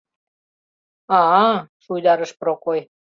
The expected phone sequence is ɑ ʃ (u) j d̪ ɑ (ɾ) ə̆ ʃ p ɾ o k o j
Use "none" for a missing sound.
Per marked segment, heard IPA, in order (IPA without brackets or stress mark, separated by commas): u, ɾ